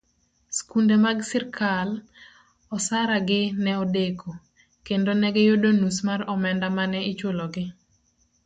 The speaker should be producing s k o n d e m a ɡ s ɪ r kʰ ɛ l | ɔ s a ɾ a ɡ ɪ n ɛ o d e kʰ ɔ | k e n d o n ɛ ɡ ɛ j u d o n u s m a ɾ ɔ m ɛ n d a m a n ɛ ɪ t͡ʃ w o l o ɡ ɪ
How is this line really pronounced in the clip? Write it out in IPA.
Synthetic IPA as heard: s k u n d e m a ɡ s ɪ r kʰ a l | ɔ s a ɾ a ɡ ɪ n ɛ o d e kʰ o | k e n d o n ɛ ɡ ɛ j o d o n u s m a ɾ ɔ m ɛ n d a m a n ɛ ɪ t͡ʃ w o l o ɡ ɪ